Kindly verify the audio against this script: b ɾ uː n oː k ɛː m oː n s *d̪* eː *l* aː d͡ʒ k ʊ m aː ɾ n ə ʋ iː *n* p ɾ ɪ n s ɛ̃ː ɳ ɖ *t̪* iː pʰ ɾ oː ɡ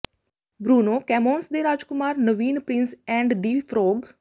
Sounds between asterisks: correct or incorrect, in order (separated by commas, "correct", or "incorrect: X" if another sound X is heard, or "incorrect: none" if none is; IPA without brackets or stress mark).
correct, incorrect: ɾ, correct, incorrect: d̪